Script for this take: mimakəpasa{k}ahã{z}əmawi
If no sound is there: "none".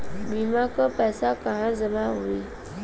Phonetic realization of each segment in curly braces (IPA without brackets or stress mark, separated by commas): k, z